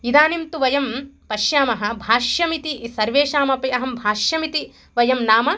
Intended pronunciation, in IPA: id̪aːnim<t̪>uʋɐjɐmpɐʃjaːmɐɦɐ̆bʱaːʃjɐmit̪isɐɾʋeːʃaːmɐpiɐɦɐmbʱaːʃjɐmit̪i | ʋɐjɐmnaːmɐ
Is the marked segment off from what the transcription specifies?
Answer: no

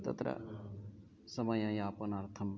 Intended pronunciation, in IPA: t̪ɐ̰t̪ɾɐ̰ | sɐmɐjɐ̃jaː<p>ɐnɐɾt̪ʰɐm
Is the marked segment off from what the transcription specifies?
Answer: no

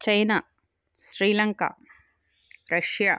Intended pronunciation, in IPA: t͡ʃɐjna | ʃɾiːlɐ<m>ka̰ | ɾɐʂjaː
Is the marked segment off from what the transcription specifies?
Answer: yes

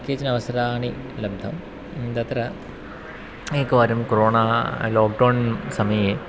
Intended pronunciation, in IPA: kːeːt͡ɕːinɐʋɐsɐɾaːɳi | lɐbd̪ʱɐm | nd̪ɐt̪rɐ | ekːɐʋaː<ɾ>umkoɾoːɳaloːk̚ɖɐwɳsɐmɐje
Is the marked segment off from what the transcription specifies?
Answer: no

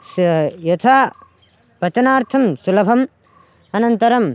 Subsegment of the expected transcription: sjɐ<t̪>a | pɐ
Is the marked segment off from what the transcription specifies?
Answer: yes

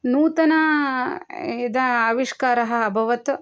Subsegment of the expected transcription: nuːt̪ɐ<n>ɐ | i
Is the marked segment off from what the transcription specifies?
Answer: no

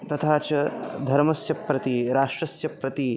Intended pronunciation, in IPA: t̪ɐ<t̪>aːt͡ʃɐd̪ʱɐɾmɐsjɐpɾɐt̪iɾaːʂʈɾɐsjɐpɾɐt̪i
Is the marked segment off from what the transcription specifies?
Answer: yes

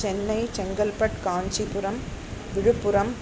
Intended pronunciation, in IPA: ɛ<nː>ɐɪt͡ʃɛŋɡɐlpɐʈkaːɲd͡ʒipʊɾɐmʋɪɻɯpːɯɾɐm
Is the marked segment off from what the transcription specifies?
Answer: no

